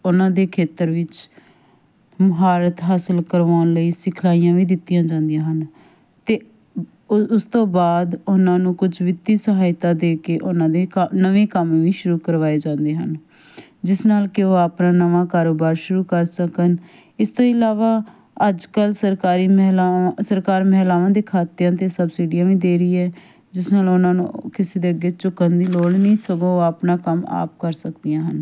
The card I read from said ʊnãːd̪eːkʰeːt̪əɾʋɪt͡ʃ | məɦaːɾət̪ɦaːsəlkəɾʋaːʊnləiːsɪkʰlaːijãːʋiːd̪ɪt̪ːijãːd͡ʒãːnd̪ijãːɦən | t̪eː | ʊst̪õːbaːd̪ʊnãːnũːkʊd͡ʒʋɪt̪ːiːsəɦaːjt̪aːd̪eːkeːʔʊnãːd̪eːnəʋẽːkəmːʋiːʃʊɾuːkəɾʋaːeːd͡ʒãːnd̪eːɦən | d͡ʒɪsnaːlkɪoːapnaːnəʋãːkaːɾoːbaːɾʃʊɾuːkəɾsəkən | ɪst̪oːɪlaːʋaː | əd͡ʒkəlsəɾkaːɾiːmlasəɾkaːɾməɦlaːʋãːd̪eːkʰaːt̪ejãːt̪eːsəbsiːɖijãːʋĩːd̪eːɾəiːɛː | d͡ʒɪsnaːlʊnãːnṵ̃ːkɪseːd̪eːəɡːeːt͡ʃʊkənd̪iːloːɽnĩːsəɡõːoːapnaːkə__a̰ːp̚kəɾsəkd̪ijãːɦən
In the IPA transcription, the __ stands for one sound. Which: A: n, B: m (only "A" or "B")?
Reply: B